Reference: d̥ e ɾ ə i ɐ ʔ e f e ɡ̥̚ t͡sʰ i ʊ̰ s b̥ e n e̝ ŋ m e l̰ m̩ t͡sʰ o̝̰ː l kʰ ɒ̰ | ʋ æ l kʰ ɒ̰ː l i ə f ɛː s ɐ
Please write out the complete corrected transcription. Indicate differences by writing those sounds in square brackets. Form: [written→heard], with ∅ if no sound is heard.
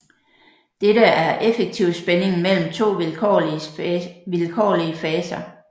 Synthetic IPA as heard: d̥ e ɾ ə [i→æ] ɐ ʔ e f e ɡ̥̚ t͡sʰ i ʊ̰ s b̥ e n e̝ ŋ m e l̰ m̩ t͡sʰ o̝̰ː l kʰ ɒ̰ | ʋ [æ→i] l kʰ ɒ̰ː l i ə f ɛː s ɐ